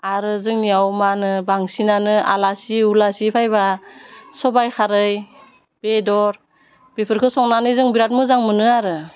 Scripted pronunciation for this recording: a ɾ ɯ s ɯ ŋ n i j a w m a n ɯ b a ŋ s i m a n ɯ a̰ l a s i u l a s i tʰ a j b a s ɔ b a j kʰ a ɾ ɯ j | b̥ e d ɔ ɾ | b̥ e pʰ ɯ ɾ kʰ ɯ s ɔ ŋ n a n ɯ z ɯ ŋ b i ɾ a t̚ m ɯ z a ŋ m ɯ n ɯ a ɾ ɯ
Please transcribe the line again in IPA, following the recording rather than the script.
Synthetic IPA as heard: a ɾ ɯ z ɯ ŋ n i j a w m a n ɯ b a ŋ s i n a n ɯ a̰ l a s i u l a s i pʰ a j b a s ɔ b a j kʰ a ɾ ɯ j | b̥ e d ɔ ɾ | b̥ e pʰ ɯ ɾ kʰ ɯ s ɔ ŋ n a n ɯ z ɯ ŋ b i ɾ a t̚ m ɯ z a ŋ m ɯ n ɯ a ɾ ɯ